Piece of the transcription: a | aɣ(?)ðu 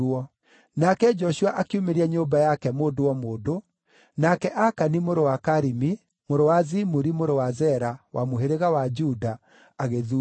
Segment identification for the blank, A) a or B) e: B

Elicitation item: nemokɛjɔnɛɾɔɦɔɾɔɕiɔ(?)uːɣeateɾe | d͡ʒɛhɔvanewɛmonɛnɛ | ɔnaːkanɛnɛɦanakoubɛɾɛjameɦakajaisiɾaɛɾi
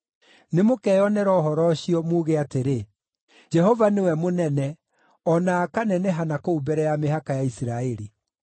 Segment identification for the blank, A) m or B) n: A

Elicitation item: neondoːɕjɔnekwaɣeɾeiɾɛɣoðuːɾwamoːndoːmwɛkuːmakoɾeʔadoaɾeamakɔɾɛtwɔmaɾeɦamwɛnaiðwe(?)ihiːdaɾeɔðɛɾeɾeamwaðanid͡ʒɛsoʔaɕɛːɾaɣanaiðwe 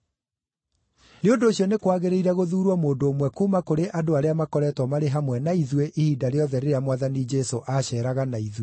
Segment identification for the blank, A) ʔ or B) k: A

